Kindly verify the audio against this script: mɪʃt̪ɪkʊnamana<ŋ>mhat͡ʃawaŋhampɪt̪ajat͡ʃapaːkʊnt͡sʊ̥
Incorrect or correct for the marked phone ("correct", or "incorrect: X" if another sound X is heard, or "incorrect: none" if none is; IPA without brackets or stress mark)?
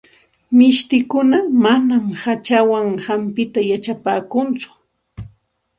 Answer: incorrect: none